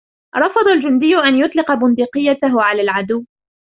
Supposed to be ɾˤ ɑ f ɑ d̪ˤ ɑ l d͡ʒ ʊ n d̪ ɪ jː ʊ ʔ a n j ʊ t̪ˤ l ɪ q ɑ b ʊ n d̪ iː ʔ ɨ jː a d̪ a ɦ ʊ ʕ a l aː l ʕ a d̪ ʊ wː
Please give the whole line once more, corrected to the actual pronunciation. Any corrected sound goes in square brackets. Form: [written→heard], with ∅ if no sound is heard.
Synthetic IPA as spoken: ɾˤ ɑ f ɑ d̪ˤ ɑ l d͡ʒ ʊ n d̪ ɪ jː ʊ ʔ a n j ʊ t̪ˤ l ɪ q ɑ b ʊ n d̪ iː [ʔ→q] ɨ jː a [d̪→t̪] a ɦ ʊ ʕ a l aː l ʕ a d̪ ʊ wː